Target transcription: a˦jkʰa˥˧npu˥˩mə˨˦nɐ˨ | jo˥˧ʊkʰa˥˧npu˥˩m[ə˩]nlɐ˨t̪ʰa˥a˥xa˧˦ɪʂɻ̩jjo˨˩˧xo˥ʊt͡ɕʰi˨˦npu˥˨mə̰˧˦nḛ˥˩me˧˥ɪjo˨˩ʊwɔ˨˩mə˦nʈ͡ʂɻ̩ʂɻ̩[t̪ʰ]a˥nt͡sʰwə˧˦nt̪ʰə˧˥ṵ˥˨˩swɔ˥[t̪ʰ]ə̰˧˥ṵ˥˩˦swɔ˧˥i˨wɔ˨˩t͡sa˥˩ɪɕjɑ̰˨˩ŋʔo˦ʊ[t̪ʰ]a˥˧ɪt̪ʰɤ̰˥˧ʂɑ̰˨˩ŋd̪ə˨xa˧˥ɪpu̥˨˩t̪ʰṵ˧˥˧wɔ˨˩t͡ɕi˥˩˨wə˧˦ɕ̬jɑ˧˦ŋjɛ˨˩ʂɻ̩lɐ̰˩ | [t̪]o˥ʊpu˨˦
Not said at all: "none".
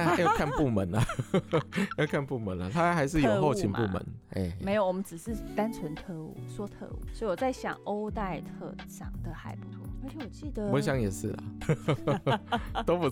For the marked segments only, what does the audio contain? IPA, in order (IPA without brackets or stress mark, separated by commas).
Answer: ə˨˦, t̪, t̪ʰ, t̪, t̪